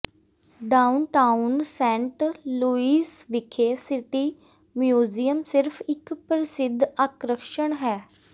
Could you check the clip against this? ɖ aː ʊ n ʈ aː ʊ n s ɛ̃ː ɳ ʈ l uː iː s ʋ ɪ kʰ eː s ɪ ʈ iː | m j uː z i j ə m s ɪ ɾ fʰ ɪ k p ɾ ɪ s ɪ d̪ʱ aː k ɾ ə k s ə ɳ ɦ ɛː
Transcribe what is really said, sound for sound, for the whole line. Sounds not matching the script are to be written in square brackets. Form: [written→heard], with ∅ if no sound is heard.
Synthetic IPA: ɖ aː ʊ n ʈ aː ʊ n s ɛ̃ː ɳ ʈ l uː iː s ʋ ɪ kʰ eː s ɪ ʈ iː | m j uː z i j ə m s ɪ ɾ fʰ ɪ k p ɾ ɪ s ɪ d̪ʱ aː k ɾ ə k [s→ʃ] ə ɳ ɦ ɛː